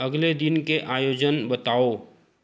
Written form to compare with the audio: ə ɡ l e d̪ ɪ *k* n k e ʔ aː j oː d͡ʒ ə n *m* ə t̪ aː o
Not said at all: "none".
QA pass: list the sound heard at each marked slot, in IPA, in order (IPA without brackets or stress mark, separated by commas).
none, b